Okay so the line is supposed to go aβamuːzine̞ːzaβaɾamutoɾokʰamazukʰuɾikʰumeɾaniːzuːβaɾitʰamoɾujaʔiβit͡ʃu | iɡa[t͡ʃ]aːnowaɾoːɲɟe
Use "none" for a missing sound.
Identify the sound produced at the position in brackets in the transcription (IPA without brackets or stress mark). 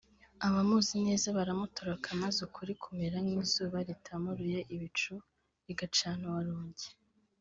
t͡ʃ